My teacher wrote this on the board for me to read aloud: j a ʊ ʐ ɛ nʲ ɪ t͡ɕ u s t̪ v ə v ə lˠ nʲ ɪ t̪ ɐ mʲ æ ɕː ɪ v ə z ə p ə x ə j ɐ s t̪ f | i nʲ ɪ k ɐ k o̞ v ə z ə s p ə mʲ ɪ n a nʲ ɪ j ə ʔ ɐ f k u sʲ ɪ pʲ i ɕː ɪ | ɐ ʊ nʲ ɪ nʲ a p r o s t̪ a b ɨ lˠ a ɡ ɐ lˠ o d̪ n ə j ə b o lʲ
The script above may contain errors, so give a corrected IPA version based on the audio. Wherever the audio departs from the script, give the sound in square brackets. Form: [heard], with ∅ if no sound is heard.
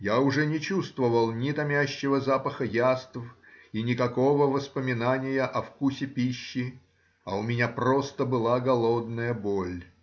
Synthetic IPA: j a ʊ ʐ ɛ nʲ ɪ t͡ɕ u s t̪ v ə v ə lˠ nʲ ɪ t̪ ɐ mʲ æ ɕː ɪ v ə z [a] p ə x ə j [a] s t̪ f | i nʲ ɪ k ɐ k o̞ v ə [v] ə s p ə mʲ ɪ n a nʲ ɪ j ə ʔ ɐ f k u sʲ ɪ pʲ i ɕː ɪ | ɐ ʊ [mʲ] ɪ nʲ a p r o s t̪ [ə] b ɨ lˠ a ɡ ɐ lˠ o d̪ n ə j ə b o lʲ